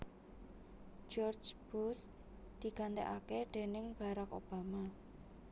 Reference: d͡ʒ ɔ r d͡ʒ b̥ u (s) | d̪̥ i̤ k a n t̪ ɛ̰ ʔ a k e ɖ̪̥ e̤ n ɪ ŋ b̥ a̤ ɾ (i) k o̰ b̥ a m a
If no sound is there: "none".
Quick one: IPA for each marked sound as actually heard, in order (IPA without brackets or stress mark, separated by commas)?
s, a